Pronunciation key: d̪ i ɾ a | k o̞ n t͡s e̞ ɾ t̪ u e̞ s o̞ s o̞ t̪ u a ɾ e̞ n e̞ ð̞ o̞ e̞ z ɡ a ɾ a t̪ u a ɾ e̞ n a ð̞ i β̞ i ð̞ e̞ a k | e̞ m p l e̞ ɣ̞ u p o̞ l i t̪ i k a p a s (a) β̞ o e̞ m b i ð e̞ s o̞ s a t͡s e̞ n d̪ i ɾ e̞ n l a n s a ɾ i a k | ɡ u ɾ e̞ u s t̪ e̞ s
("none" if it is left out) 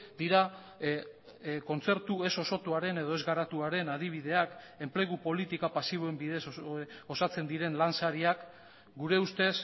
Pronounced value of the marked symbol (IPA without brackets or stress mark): i